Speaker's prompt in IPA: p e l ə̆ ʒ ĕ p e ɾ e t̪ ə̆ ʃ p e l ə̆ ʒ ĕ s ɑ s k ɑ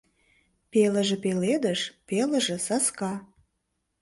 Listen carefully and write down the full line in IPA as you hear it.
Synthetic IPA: p e l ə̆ ʒ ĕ p e l e d̪ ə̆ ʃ p e l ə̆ ʒ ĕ s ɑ s k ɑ

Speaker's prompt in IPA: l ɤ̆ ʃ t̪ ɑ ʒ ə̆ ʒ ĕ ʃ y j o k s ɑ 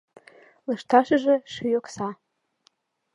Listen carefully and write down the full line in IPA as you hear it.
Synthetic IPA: l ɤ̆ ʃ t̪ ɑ ʃ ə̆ ʒ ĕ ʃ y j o k s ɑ

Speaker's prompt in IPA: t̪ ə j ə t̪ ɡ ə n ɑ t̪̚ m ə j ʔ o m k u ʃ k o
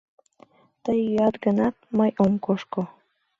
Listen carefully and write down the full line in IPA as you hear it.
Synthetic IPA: t̪ ə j ɑ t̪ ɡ ə n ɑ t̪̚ m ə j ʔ o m k o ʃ k o

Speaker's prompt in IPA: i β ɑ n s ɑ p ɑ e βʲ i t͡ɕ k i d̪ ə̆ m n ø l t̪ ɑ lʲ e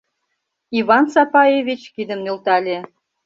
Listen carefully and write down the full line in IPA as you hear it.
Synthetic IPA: i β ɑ n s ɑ p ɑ e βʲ i t͡ɕ k i d̪ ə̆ m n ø l t̪ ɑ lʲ e

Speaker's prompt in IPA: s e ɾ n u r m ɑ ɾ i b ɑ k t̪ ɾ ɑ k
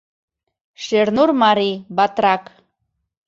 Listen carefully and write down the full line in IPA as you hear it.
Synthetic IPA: ʃ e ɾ n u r m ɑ ɾ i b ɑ t̪ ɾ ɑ k

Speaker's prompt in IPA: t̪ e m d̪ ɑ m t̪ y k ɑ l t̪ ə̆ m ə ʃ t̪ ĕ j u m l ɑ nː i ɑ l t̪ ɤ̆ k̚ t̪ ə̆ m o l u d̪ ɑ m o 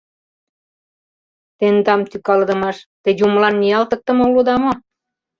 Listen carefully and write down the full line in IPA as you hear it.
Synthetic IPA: t̪ e n d̪ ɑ m t̪ y k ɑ l d̪ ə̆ m ɑ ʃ t̪ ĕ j u m l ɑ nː i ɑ l t̪ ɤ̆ k̚ t̪ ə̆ m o l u d̪ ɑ m o

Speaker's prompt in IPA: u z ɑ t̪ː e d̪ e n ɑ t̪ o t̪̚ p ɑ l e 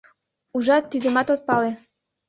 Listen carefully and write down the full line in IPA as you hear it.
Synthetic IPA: u ʒ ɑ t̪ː i d̪ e m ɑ t̪ o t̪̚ p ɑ l e

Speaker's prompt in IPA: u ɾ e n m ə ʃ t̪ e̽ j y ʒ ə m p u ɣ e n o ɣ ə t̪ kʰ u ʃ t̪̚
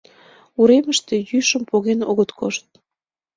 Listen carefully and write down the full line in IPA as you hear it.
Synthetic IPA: u ɾ e m ə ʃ t̪ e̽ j y ʃ ə m p o ɣ e n o ɣ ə t̪ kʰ o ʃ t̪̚

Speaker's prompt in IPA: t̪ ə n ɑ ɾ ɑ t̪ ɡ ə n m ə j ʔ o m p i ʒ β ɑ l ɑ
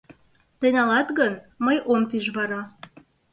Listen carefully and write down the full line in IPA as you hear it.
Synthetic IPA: t̪ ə n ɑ l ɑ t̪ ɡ ə n m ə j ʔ o m p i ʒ β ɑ ɾ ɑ

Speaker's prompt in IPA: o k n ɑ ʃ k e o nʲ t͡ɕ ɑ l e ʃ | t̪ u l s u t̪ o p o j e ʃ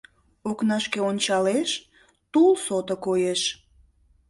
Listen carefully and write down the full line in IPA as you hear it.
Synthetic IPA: o k n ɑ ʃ k e o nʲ t͡ɕ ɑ l e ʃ | t̪ u l s o t̪ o k o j e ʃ

